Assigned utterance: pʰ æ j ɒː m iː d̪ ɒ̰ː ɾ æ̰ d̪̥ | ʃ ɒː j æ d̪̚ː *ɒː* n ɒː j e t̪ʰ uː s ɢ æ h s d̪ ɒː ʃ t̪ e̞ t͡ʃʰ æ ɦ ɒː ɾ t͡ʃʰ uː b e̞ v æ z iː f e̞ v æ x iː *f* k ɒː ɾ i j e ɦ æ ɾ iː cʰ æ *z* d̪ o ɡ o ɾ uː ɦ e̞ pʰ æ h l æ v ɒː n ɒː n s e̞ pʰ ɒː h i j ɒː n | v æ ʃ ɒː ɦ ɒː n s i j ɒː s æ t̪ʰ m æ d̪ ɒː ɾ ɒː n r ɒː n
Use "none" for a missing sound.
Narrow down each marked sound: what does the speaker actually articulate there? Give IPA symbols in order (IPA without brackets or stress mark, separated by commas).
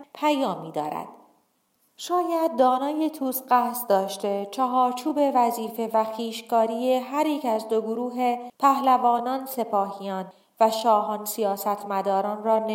ɒː, ʃ, z